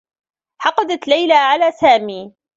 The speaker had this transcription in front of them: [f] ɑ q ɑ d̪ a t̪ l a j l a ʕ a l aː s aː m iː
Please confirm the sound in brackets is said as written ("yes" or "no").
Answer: no